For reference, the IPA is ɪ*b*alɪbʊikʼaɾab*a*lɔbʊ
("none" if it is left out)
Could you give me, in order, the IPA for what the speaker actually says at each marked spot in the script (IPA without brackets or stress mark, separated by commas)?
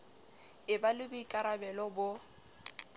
b, ɛ